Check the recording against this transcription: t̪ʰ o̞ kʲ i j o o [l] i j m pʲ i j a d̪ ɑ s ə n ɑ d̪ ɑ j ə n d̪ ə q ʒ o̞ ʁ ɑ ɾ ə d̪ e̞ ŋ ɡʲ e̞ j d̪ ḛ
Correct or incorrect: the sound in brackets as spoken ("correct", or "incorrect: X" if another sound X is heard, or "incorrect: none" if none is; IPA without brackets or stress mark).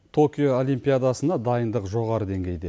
correct